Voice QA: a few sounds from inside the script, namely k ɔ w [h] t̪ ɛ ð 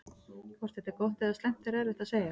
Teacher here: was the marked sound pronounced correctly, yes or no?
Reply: yes